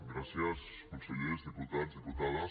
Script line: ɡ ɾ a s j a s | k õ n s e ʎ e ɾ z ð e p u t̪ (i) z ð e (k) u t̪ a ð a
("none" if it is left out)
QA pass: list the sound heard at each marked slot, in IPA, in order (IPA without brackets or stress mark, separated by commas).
a, p